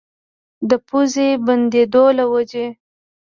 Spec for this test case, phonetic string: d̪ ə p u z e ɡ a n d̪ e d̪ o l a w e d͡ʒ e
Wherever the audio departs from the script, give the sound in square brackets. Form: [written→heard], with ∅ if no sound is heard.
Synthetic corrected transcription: d̪ ə p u z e [ɡ→b] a n d̪ e d̪ o l a w [e→a] d͡ʒ e